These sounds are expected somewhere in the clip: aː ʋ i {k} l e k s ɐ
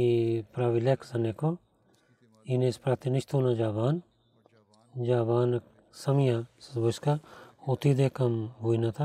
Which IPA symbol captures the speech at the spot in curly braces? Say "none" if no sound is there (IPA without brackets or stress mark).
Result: none